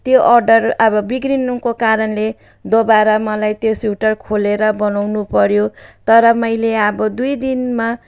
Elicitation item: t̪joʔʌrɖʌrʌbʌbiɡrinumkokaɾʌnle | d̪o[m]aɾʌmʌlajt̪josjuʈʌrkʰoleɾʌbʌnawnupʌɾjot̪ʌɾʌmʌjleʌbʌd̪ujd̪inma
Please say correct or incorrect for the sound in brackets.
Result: incorrect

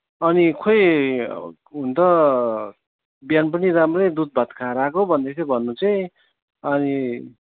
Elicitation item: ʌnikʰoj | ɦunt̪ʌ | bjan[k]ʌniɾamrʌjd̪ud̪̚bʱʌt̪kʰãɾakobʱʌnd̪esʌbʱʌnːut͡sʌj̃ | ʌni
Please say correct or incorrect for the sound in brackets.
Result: incorrect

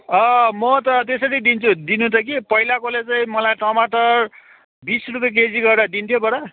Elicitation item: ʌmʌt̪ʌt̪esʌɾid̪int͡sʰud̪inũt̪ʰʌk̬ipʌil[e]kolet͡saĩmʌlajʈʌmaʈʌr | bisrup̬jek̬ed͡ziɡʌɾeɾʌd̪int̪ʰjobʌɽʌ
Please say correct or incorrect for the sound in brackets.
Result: incorrect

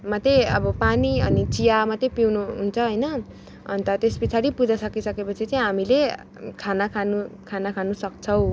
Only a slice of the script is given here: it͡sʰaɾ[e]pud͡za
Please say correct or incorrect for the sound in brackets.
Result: incorrect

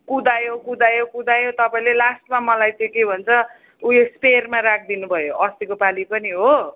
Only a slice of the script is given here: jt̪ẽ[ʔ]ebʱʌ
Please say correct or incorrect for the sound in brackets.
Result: incorrect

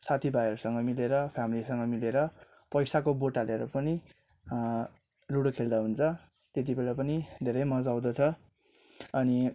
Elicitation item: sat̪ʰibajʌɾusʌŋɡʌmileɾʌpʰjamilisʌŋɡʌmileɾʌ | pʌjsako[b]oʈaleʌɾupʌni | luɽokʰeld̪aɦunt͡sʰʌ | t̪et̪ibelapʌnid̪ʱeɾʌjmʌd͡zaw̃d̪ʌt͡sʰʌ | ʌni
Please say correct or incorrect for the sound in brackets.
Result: correct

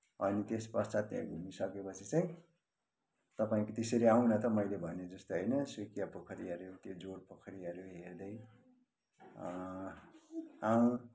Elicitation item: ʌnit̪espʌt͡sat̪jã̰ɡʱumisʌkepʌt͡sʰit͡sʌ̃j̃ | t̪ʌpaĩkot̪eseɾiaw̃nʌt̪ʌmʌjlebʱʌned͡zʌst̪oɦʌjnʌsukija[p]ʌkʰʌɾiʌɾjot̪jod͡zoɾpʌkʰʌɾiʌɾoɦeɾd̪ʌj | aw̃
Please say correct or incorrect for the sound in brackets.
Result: correct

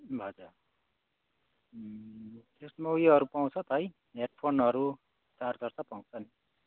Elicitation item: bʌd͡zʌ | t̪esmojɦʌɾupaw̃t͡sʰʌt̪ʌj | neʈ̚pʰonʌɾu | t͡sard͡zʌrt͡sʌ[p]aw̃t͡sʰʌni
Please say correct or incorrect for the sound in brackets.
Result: correct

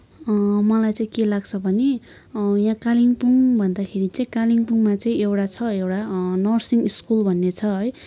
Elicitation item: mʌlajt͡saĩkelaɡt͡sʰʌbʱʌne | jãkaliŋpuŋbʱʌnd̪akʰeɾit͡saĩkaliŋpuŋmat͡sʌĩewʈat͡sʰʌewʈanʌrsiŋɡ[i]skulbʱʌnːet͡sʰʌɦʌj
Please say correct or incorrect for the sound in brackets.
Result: correct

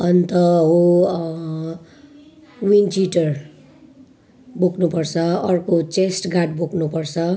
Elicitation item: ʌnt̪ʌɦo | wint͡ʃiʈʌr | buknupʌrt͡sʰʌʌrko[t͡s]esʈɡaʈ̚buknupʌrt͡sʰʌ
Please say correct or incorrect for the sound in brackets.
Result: correct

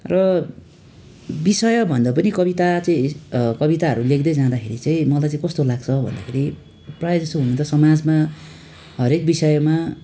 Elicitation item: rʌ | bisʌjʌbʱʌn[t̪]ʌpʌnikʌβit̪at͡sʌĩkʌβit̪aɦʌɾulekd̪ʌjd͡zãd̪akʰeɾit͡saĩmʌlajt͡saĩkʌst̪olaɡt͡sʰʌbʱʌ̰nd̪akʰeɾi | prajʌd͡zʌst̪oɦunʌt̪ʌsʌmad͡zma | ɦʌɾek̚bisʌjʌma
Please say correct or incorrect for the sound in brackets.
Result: incorrect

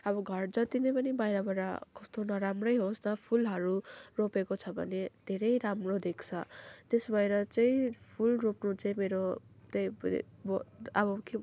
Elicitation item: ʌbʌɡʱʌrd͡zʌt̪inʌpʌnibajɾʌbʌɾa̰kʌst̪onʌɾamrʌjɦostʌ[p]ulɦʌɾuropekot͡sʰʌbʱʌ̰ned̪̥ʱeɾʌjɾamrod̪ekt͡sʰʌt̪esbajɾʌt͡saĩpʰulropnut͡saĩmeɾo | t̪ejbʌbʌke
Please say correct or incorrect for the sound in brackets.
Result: incorrect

